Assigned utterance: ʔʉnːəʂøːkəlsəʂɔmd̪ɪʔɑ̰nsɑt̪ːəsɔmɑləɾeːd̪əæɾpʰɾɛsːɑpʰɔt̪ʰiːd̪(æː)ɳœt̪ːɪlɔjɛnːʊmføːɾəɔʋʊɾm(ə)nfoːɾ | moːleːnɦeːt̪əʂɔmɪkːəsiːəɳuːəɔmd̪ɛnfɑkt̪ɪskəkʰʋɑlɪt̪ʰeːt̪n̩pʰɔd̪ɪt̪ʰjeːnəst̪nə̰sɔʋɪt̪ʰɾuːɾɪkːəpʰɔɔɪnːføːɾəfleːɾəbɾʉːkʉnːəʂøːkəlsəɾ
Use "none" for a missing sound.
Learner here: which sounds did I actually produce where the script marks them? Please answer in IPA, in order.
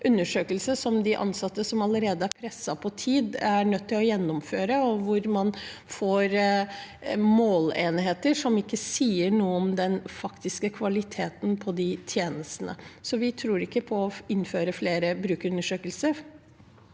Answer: æ, ɑ

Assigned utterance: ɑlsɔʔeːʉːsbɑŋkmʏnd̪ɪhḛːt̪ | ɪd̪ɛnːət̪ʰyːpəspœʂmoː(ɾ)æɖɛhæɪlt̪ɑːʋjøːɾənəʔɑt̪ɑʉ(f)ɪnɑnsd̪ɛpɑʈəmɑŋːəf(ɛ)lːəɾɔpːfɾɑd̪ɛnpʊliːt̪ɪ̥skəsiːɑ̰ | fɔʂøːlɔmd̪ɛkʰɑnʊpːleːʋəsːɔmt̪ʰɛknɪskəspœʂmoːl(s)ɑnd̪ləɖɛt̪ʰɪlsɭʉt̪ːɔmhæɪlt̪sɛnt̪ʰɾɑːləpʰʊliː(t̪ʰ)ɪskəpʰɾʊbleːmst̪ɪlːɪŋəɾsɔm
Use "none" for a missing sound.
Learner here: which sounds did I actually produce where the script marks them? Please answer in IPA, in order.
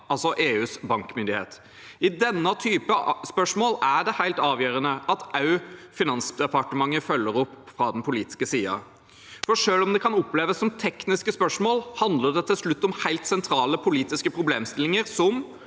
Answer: l, f, œ, h, t̪

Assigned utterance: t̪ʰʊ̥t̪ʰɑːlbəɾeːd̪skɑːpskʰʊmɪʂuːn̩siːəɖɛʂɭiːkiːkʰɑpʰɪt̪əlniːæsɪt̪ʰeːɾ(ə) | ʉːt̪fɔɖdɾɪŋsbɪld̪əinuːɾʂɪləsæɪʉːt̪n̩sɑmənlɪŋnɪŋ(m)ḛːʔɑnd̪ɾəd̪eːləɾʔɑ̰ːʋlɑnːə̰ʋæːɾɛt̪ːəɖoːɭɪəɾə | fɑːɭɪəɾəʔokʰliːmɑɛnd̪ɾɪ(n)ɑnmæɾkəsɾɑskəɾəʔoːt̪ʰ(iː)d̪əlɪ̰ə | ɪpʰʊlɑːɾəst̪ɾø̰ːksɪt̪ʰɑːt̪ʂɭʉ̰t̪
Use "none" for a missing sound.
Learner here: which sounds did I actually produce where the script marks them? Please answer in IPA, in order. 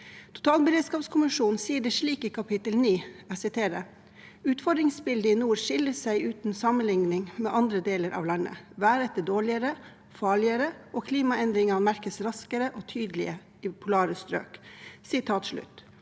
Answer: ə, m, ŋ, yː

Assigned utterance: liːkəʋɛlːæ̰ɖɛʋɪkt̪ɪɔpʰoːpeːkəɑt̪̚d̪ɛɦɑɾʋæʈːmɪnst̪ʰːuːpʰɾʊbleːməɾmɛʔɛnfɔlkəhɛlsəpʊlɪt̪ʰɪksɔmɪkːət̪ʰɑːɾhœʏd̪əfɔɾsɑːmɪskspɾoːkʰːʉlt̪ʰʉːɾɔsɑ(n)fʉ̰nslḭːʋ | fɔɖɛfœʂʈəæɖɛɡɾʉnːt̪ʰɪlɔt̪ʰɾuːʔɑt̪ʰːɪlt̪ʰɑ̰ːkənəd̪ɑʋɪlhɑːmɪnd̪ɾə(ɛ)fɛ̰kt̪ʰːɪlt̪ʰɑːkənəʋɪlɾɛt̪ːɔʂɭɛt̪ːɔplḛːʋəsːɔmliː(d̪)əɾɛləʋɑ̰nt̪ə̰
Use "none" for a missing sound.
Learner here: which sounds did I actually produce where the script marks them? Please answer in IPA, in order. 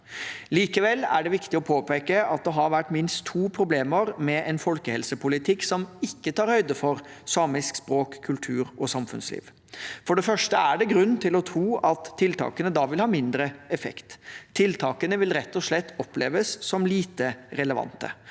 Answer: m, ɛ, t̪

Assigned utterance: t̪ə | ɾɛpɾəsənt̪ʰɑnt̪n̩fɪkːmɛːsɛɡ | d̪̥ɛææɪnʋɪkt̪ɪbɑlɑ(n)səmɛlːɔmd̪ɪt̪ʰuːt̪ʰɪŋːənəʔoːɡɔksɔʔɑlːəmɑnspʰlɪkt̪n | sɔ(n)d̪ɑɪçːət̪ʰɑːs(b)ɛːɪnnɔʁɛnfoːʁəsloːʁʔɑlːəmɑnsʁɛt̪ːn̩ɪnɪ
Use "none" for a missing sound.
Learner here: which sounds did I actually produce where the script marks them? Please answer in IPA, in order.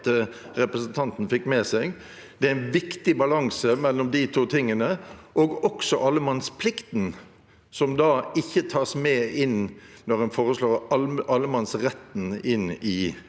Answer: ŋ, m, m

